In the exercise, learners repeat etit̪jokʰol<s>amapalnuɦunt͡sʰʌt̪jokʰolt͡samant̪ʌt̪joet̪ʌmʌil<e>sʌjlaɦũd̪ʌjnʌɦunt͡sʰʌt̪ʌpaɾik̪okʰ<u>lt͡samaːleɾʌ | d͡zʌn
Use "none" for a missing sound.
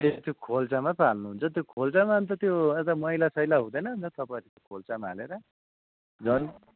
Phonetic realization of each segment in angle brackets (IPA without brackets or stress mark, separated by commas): t͡s, a, o